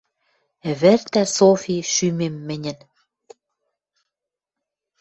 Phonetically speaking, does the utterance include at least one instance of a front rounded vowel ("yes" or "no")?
yes